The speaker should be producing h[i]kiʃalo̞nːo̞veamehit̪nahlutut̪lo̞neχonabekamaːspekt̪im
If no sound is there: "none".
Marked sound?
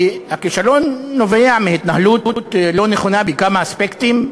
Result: a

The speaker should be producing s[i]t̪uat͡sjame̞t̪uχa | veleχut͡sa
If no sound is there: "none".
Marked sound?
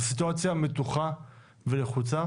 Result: i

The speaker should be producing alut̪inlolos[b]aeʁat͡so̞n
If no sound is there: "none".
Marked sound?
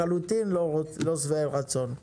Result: v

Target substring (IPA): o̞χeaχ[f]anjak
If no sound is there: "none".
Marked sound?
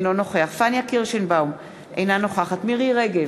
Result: f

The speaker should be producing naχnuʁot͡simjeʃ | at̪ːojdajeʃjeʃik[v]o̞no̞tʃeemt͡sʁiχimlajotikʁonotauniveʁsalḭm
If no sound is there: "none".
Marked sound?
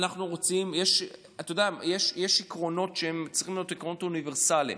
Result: ʁ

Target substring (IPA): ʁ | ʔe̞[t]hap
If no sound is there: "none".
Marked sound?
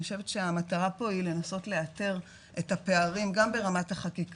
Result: t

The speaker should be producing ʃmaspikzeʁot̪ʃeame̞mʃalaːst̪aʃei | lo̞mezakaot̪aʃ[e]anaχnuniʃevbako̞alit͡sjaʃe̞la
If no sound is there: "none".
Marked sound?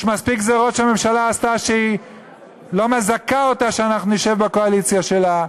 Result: e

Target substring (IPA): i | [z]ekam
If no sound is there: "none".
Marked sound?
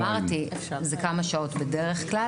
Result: z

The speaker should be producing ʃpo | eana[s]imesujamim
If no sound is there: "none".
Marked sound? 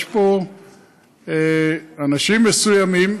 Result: ʃ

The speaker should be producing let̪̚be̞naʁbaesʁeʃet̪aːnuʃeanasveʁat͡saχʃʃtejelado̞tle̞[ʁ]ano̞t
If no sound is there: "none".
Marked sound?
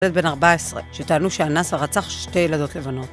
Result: v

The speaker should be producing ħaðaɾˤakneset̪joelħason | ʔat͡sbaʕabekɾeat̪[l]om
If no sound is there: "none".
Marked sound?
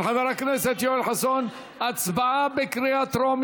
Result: ɾ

